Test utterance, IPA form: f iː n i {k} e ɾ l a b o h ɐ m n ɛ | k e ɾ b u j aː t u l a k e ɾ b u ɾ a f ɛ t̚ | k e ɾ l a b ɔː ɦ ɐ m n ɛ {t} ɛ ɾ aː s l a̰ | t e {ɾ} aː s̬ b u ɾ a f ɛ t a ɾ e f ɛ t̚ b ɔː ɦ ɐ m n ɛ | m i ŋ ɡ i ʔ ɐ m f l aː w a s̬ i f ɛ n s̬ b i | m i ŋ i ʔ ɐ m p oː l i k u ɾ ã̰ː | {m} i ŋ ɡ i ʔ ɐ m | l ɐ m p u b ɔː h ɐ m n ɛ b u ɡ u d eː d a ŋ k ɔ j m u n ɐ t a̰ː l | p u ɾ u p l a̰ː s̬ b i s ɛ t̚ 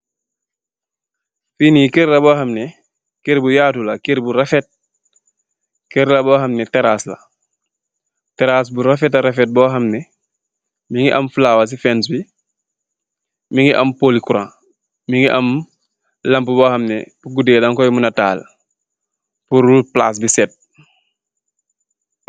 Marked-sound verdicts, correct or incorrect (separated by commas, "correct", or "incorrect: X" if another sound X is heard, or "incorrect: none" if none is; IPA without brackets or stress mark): correct, correct, correct, correct